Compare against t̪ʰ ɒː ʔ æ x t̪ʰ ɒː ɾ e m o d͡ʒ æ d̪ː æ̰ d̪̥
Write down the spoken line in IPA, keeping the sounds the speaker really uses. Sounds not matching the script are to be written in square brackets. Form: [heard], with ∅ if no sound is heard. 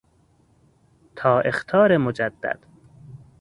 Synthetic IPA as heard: t̪ʰ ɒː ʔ [e] x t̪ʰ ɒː ɾ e m o d͡ʒ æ d̪ː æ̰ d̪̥